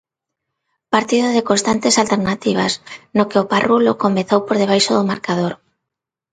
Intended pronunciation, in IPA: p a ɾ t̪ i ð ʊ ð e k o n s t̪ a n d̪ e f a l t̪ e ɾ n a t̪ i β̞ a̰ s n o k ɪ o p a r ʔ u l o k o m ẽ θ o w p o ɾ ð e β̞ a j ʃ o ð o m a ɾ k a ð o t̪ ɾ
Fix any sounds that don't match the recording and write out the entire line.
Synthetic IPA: p a ɾ t̪ i ð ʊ ð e k o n s t̪ a n t̪ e s a l t̪ e ɾ n a t̪ i β̞ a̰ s n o k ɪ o p a r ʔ u l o k o m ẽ θ o w p o ɾ ð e β̞ a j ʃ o ð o m a ɾ k a ð o ɾ